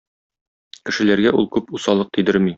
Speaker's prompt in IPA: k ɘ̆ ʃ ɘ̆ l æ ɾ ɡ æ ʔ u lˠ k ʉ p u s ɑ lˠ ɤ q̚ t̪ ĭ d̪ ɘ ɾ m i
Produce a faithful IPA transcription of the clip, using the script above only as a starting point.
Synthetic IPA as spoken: k ɘ̆ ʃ ɘ̆ l æ ɾ ɡ æ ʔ u lˠ k ʉ p u s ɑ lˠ ɤ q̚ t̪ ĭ d̪ ɘ ɾ m i